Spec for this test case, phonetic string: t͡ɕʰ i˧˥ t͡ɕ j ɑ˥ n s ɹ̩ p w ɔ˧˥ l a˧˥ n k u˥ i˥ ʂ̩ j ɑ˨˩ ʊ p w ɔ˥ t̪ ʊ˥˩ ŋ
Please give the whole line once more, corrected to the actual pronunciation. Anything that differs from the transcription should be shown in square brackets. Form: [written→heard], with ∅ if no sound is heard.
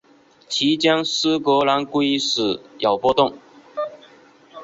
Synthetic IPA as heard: t͡ɕʰ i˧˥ t͡ɕ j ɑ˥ [n→ŋ] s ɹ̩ [p→k] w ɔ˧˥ l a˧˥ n k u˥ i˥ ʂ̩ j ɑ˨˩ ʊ p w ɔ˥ t̪ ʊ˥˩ ŋ